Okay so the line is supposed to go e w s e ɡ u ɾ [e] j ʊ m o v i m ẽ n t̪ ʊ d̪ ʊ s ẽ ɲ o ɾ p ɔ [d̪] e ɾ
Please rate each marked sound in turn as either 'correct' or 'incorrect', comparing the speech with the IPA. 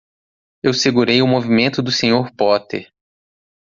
correct, incorrect: t̪

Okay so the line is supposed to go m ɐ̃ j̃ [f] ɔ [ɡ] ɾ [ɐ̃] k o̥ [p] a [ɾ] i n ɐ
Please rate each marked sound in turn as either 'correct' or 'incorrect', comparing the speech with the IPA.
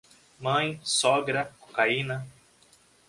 incorrect: s, correct, incorrect: ɐ, incorrect: k, incorrect: none

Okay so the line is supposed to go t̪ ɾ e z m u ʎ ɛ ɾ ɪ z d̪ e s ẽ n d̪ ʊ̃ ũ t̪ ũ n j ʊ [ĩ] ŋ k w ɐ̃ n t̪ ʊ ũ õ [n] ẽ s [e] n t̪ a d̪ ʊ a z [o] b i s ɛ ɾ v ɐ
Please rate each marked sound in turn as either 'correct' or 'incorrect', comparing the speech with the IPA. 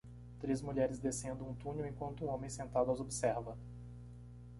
incorrect: ẽ, incorrect: m, incorrect: ẽ, correct

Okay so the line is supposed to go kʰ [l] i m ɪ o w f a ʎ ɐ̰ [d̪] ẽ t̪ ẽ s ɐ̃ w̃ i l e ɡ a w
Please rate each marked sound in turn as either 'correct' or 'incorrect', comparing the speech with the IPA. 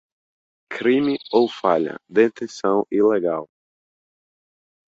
incorrect: ɾ, correct

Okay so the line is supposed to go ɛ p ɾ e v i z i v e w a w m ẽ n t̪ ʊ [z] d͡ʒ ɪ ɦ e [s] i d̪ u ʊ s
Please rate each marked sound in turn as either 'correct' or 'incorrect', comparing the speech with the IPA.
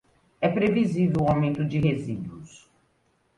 incorrect: none, incorrect: z

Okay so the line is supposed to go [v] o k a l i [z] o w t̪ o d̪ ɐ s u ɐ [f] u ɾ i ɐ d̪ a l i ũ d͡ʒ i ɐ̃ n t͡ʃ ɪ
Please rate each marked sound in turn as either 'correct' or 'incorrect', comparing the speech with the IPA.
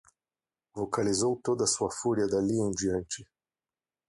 correct, correct, correct

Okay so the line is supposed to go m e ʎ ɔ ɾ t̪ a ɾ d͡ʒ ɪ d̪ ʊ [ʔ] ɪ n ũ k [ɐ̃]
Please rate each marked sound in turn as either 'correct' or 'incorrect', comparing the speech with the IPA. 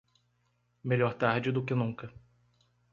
incorrect: k, incorrect: ɐ

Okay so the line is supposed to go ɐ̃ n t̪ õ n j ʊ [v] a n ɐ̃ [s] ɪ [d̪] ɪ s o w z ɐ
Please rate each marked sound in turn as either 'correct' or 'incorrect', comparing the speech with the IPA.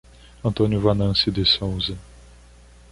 correct, correct, correct

